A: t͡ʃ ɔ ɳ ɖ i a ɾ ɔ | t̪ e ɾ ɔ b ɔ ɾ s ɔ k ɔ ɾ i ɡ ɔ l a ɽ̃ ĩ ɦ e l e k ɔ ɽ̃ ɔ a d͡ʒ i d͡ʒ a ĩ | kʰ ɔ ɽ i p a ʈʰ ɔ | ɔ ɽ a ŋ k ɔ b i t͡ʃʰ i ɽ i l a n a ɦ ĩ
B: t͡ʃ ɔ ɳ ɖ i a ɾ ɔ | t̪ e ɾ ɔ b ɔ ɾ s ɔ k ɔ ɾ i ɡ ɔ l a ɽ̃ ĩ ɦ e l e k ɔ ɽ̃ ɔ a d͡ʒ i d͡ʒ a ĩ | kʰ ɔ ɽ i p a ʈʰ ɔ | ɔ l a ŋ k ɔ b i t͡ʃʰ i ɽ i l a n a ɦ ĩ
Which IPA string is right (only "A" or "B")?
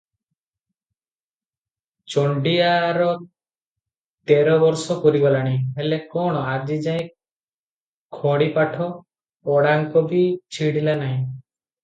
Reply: A